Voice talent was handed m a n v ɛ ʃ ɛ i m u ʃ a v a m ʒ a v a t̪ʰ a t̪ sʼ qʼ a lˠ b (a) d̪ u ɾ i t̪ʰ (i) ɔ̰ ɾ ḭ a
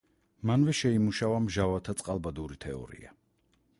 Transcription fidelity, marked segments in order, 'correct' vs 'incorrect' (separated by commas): correct, incorrect